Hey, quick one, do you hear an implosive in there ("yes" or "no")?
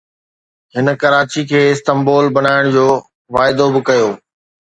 no